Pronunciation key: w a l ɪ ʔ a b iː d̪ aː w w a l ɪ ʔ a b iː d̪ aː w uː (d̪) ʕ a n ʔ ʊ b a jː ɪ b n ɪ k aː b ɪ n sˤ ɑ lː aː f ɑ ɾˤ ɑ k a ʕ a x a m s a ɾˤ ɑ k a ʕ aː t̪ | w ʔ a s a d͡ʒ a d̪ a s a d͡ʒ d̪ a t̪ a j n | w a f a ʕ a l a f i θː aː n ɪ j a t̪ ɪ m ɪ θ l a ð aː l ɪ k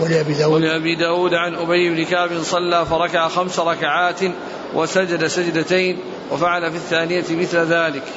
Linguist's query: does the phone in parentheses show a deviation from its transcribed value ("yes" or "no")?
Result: no